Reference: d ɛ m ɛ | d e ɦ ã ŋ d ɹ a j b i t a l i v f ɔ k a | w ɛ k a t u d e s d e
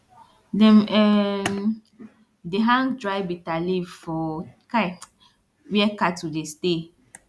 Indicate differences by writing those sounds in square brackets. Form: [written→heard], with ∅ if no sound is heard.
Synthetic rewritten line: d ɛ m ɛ | d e ɦ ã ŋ d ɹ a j b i t a l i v f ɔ k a | w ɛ k a t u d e s [d→t] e